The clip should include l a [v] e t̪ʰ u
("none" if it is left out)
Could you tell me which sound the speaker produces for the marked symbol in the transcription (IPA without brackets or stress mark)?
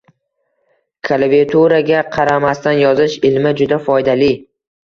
v